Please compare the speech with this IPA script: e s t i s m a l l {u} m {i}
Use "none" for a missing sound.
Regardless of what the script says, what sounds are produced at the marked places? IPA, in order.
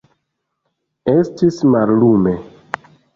u, e

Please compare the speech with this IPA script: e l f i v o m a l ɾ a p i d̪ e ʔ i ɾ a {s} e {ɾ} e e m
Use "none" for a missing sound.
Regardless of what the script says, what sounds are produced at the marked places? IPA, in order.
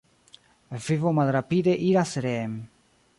s, ɾ

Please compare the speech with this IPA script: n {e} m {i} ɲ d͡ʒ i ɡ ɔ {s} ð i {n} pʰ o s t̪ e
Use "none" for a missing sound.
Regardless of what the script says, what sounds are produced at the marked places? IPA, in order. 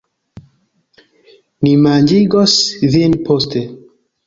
i, a, s, n

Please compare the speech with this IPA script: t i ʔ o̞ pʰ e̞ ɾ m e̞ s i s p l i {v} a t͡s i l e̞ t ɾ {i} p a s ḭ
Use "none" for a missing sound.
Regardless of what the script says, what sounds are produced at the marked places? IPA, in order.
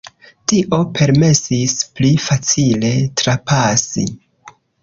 f, a

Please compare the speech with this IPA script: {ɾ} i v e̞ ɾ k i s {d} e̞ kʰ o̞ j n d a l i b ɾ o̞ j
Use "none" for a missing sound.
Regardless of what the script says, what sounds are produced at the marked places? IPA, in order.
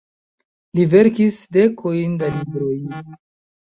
l, d

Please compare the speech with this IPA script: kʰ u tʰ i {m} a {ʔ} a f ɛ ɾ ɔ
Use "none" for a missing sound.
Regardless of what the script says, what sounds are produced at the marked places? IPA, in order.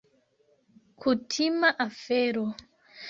m, ʔ

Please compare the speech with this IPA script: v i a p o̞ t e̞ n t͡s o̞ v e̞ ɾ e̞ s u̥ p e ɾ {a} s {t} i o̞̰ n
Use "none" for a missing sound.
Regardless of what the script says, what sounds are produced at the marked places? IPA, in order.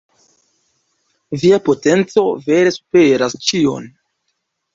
a, t͡ʃ

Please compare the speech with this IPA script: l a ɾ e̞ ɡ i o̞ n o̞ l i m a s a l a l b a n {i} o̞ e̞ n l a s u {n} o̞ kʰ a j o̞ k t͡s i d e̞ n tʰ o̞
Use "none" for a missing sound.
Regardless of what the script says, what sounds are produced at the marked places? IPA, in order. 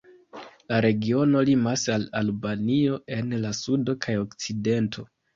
i, d

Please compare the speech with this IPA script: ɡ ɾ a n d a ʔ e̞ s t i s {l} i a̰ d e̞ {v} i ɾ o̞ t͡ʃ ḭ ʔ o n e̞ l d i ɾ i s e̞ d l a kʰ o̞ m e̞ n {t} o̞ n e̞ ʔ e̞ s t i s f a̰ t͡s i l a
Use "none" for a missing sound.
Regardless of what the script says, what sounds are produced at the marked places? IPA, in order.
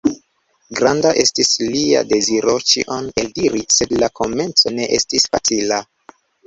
l, z, t͡s

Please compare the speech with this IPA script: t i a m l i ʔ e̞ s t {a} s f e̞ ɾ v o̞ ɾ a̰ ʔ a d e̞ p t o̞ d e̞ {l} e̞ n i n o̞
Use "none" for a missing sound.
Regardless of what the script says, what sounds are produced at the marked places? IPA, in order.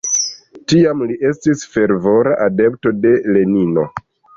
i, l

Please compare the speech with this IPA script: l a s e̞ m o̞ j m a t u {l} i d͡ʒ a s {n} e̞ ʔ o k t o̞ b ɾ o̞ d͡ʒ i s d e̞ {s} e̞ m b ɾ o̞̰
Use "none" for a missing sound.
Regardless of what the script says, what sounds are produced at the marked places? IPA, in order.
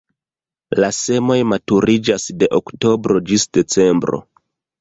ɾ, d, t͡s

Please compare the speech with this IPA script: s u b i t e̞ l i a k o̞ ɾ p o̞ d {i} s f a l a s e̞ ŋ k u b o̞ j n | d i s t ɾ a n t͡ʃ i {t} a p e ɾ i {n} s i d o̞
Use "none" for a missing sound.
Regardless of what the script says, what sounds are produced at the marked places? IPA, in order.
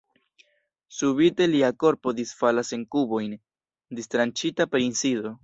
i, t, n

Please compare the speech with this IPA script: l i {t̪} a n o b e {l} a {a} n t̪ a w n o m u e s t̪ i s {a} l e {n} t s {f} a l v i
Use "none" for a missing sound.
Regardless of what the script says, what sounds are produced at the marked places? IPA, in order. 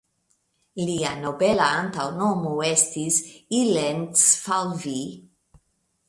none, l, a, i, n, f

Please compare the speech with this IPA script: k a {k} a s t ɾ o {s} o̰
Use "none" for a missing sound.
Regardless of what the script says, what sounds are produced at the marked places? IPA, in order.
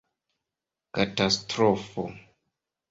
t, f

